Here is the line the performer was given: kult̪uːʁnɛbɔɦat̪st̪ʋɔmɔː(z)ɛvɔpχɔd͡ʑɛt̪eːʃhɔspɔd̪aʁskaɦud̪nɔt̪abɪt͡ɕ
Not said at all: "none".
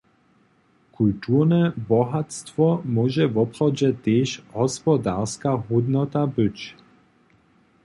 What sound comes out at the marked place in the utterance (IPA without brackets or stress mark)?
ʒ